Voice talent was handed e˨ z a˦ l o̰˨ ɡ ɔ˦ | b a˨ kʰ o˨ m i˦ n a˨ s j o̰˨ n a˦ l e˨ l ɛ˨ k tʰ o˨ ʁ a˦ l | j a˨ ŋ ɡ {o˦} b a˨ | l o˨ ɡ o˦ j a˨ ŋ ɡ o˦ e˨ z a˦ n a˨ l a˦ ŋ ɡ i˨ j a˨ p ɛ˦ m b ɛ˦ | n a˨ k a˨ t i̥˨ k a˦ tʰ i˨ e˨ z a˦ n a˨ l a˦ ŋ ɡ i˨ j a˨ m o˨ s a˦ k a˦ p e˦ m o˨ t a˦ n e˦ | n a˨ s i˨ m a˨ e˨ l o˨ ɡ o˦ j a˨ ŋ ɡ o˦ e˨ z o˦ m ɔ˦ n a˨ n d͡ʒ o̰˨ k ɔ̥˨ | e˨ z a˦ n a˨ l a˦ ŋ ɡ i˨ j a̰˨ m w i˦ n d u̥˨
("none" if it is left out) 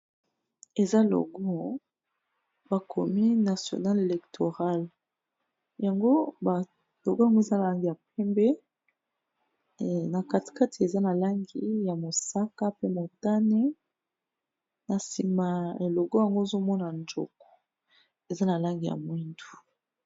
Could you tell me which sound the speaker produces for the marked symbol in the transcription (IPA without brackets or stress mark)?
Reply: o˦